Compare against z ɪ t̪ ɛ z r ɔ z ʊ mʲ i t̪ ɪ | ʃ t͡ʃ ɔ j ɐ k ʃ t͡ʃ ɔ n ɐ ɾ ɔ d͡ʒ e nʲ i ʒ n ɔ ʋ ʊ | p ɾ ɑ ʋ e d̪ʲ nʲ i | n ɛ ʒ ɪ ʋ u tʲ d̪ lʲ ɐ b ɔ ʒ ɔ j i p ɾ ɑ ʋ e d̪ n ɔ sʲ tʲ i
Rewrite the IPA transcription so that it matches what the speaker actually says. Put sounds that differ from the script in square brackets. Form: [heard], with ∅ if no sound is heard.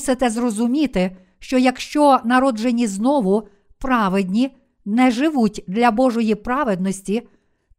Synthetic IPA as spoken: [s] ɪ t̪ ɛ z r ɔ z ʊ mʲ i t̪ ɪ | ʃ t͡ʃ ɔ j ɐ k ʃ t͡ʃ ɔ n ɐ ɾ ɔ d͡ʒ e nʲ i [z] n ɔ ʋ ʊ | p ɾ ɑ ʋ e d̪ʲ nʲ i | n ɛ ʒ ɪ ʋ u tʲ d̪ lʲ ɐ b ɔ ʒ ɔ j i p ɾ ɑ ʋ e d̪ n ɔ sʲ tʲ i